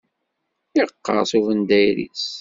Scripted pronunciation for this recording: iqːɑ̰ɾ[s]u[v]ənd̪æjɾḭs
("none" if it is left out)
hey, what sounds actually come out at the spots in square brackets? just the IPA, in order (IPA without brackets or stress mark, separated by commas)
s, v